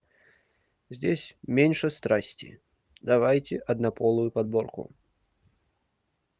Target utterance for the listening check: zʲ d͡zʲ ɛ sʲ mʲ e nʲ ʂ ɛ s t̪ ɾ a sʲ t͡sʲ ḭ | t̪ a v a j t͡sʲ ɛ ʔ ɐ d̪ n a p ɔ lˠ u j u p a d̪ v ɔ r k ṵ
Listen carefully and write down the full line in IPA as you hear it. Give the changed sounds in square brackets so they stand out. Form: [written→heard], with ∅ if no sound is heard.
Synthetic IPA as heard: zʲ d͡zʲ [ɛ→e] sʲ mʲ e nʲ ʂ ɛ s t̪ ɾ a sʲ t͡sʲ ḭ | [t̪→d̪] a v a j t͡sʲ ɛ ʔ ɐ d̪ n a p ɔ lˠ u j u p a d̪ [v→b] ɔ r k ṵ